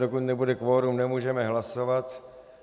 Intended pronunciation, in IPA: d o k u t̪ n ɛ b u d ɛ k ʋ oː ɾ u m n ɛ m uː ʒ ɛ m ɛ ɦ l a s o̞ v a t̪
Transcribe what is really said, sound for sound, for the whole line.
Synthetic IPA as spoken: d o k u t̪ n ɛ b u d ɛ k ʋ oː ɾ u m n ɛ m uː ʒ ɛ m ɛ ɦ l a s o̞ v a t̪